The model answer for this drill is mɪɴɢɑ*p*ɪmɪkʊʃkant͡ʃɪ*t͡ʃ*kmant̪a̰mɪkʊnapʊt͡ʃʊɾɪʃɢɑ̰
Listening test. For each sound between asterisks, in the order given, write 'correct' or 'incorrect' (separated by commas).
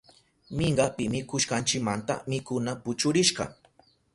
correct, incorrect